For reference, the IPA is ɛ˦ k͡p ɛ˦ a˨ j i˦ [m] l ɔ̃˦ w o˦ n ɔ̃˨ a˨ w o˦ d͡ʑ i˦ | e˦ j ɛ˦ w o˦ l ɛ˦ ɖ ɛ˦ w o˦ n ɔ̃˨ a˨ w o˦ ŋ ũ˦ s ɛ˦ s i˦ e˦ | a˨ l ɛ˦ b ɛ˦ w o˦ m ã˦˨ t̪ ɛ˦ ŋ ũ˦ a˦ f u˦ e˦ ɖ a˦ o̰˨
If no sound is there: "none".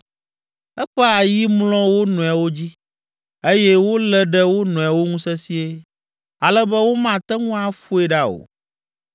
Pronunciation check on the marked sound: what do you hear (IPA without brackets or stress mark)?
m